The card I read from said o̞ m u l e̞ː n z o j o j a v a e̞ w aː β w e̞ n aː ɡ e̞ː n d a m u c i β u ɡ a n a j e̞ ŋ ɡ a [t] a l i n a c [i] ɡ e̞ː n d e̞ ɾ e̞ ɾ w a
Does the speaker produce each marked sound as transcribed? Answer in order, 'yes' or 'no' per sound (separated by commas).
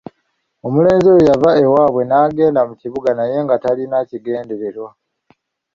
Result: yes, yes